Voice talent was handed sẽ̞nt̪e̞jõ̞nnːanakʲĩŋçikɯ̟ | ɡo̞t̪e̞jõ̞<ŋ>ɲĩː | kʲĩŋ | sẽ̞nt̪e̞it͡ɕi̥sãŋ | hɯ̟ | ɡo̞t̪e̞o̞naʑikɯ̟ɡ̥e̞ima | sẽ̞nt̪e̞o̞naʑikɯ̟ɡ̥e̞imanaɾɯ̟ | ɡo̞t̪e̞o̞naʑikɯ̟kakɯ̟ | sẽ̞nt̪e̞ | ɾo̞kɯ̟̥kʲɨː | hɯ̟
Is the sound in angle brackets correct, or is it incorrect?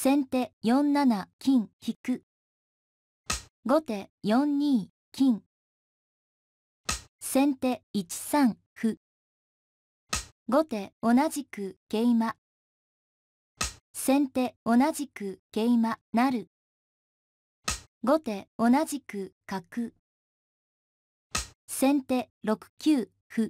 incorrect